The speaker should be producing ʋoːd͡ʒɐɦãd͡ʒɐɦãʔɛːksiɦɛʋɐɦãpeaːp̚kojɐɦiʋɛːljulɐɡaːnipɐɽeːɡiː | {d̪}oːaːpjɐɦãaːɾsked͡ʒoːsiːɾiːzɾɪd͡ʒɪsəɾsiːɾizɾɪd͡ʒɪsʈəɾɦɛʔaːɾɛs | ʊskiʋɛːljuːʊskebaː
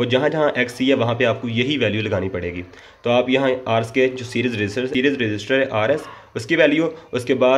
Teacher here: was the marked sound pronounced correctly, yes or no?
no